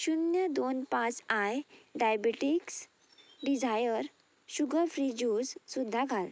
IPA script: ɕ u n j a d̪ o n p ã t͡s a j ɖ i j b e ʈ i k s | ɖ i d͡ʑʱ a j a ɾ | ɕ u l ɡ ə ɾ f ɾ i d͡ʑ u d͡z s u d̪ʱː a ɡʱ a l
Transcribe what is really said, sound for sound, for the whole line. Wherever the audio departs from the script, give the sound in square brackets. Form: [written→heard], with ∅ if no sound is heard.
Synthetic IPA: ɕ u n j [a→ə] d̪ o n p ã t͡s a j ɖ [i→a] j b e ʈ i k s | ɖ i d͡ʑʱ a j [a→ə] ɾ | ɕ u [l→∅] ɡ ə ɾ f ɾ i d͡ʑ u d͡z s u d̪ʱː a ɡʱ a l